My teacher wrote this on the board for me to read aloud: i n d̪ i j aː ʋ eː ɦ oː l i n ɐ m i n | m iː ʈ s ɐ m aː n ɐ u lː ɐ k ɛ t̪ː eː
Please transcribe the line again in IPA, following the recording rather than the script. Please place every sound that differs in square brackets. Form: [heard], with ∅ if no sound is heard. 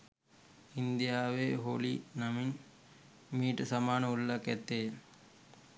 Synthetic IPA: i n d̪ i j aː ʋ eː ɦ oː l i n ɐ m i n | m iː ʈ s ɐ m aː n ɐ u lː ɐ k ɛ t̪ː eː